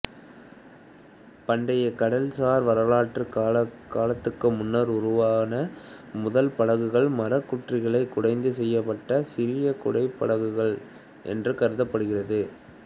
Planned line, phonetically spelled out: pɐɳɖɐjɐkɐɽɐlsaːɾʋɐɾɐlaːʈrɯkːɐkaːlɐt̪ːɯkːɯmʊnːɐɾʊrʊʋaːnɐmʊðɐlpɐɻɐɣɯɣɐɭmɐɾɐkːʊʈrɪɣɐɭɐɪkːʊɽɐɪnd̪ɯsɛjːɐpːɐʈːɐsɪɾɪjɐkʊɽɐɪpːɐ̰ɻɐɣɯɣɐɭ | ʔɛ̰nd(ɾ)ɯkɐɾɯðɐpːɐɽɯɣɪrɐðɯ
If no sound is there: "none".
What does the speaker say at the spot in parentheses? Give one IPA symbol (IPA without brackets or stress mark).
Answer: r